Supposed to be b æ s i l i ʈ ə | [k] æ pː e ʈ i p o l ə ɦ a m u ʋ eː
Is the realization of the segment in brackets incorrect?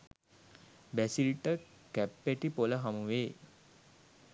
no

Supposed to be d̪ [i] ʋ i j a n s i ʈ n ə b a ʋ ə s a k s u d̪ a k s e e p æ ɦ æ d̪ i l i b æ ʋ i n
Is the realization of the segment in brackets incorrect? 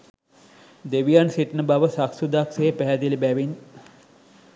yes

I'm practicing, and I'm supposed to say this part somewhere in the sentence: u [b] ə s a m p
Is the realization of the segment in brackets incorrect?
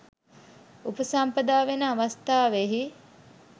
yes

